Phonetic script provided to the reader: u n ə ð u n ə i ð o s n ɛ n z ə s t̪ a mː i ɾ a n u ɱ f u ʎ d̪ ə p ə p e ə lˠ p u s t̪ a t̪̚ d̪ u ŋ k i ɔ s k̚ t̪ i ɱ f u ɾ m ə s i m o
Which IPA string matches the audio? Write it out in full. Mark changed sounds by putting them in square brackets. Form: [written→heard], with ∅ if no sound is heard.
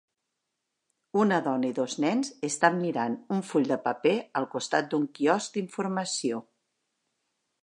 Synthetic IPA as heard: u n ə ð [u→ɔ] n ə i ð o [s→z] n ɛ n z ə s t̪ a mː i ɾ a n u ɱ f u ʎ d̪ ə p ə p e ə lˠ [p→k] u s t̪ a t̪̚ d̪ u ŋ k i ɔ s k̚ [t̪→d̪] i ɱ f u ɾ m ə s i [m→∅] o